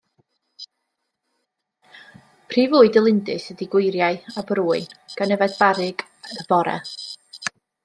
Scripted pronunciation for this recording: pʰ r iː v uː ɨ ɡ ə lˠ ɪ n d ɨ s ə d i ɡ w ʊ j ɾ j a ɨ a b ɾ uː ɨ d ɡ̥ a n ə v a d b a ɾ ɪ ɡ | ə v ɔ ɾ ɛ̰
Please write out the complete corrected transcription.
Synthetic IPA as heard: pʰ r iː v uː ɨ d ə lˠ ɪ n d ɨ s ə d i ɡ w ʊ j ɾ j a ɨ a b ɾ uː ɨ n ɡ̥ a n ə v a d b a ɾ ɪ ɡ | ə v ɔ ɾ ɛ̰

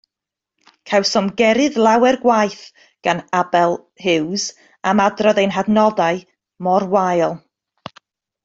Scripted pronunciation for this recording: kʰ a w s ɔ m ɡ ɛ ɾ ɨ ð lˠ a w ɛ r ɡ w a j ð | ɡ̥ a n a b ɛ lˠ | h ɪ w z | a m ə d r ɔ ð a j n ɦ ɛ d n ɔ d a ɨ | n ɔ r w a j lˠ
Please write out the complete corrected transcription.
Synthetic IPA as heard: kʰ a w s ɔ m ɡ ɛ ɾ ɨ ð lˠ a w ɛ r ɡ w a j θ | ɡ̥ a n a b ɛ lˠ | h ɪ w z | a m a d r ɔ ð e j n ɦ a d n ɔ d a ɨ | m ɔ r w a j lˠ

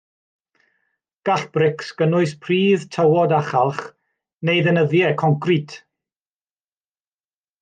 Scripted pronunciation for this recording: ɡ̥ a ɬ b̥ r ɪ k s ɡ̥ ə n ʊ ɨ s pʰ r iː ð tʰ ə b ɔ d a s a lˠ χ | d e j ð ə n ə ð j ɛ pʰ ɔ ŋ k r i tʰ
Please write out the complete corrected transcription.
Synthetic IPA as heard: ɡ̥ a ɬ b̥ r ɪ k s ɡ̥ ə n ʊ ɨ s pʰ r iː ð tʰ ə w ɔ d a χ a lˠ χ | n e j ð ə n ə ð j ɛ kʰ ɔ ŋ k r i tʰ

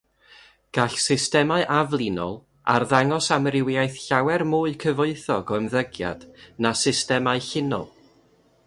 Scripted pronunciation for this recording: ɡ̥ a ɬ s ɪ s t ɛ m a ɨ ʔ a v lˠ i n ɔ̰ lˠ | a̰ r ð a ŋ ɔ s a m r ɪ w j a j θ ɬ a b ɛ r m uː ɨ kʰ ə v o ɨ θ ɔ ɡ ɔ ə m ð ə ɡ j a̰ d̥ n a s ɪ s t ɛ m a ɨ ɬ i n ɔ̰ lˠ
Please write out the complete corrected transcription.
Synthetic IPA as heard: ɡ̥ a ɬ s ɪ s t ɛ m a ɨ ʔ a v lˠ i n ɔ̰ lˠ | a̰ r ð a ŋ ɔ s a m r ɪ w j a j θ ɬ a w ɛ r m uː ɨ kʰ ə v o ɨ θ ɔ ɡ ɔ ə m ð ə ɡ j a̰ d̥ n a s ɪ s t ɛ m a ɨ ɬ ɪ n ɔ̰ lˠ

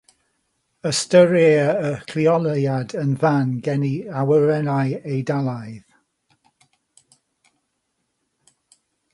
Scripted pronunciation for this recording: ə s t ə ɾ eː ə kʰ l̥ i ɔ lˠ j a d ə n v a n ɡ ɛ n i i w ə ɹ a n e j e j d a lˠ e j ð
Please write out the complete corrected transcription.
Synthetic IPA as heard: ə s t ə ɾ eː ə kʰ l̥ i ɔ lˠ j a d ə n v a n ɡ ɛ n i a w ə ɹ ɛ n a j e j d a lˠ a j ð

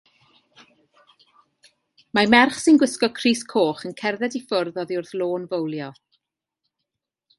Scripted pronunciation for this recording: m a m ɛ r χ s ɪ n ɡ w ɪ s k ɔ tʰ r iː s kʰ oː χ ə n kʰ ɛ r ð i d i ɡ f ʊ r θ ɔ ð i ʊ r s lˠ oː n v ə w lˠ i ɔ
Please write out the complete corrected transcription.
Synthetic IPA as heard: m a m ɛ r χ s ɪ n ɡ w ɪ s k ɔ kʰ r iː s kʰ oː χ ə n kʰ ɛ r ð ɛ d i f ʊ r ð ɔ ð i ʊ r θ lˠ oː n v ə w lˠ j ɔ

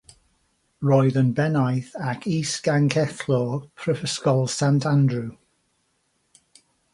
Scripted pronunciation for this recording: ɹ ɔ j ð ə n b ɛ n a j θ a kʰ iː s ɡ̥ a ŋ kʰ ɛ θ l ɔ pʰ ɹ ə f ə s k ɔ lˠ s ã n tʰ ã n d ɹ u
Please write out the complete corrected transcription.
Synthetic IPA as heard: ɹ ɔ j ð ə n b ɛ n a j θ a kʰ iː s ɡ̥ a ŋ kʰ ɛ θ l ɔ pʰ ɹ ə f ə s k ɔ lˠ s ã n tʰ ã n d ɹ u

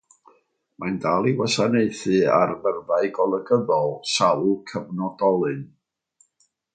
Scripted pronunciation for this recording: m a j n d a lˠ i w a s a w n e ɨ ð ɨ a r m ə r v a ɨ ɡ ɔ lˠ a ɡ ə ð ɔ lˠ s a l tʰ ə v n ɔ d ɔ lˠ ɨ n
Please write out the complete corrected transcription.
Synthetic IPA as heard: m a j n d a lˠ i w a s a n e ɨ θ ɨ a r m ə r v a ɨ ɡ ɔ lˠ ə ɡ ə ð ɔ lˠ s a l kʰ ə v n ɔ d ɔ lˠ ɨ n

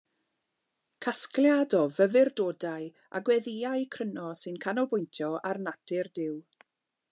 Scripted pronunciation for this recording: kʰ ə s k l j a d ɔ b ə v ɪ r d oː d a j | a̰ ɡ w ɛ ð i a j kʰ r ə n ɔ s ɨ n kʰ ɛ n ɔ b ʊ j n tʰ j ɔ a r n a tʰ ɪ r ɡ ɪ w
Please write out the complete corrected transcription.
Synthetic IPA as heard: kʰ a s k l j a d ɔ v ə v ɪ r d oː d a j | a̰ ɡ w ɛ ð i a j kʰ r ə n ɔ s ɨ n kʰ a n ɔ b ʊ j n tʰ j ɔ a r n a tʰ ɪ r d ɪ w

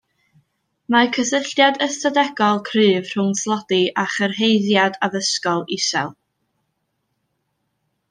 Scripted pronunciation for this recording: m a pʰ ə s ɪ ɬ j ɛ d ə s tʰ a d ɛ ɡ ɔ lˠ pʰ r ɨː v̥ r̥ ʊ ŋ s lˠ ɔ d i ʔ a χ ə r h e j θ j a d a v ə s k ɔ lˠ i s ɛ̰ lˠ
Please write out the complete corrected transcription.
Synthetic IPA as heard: m a kʰ ə s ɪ ɬ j a d ə s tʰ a d ɛ ɡ ɔ lˠ kʰ r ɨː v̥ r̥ ʊ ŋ s lˠ ɔ d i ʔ a χ ə r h e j ð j a d a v ə s k ɔ lˠ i s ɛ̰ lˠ

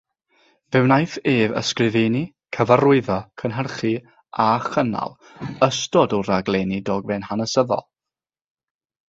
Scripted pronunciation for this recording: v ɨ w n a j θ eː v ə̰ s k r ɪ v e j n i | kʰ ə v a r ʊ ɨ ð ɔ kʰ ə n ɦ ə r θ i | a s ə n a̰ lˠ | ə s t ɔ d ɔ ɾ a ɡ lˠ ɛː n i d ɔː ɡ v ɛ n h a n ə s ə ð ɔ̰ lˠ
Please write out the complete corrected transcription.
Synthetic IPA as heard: v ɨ w n a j θ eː v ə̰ s k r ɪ v e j n i | kʰ ə v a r ʊ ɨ ð ɔ kʰ ə n ɦ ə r χ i | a χ ə n a̰ lˠ | ə s t ɔ d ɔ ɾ a ɡ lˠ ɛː n i d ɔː ɡ v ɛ n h a n ə s ə ð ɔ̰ lˠ

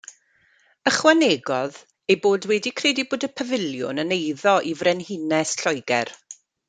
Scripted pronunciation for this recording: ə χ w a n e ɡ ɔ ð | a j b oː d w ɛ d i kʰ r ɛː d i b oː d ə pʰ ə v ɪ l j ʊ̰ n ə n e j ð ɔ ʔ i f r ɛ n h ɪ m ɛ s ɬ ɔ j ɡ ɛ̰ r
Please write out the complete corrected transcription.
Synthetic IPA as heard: ə χ w a n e ɡ ɔ ð | e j b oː d w ɛ d i kʰ r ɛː d i b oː d ə pʰ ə v ɪ l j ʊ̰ n ə n e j ð ɔ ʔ i v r ɛ n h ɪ n ɛ s ɬ ɔ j ɡ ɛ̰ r

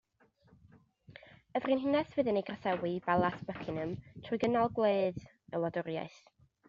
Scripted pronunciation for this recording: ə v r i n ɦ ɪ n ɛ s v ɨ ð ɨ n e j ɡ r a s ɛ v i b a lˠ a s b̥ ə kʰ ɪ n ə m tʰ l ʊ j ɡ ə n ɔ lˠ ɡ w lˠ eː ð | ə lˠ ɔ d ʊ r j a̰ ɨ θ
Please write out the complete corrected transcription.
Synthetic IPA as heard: ə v r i n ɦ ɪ n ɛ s v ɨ ð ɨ n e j ɡ r a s ɛ w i b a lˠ a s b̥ ə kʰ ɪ n ə m tʰ r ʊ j ɡ ə n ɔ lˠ ɡ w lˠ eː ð | ə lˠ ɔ d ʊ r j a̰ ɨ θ

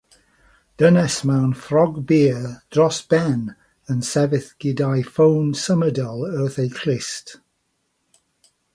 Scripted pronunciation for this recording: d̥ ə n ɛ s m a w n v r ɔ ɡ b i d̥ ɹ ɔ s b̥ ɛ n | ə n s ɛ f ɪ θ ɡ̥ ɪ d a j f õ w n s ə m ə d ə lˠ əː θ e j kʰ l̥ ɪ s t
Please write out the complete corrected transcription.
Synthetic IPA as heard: d̥ ə n ɛ s m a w n f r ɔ ɡ b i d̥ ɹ ɔ s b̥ ɛ n | ə n s ɛ v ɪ θ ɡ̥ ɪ d a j f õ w n s ə m ə d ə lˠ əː θ e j kʰ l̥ ɪ s t

